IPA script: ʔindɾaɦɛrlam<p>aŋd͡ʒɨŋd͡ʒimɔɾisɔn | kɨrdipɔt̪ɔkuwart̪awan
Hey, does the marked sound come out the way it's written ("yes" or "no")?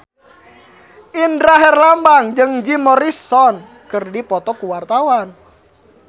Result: no